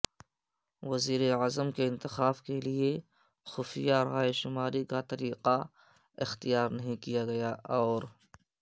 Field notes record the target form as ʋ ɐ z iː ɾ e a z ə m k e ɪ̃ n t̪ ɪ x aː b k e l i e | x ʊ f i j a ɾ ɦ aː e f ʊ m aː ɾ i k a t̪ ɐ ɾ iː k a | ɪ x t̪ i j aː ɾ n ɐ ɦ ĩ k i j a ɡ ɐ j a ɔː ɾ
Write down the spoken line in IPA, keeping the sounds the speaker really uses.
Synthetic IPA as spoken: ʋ ɐ z iː ɾ e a z ə m k e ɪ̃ n t̪ ɪ x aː b k e l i e | x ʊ f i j a ɾ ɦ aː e ʃ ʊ m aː ɾ i k a t̪ ɐ ɾ iː q a | ɪ x t̪ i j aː ɾ n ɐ ɦ ĩ k i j a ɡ ɐ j a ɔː ɾ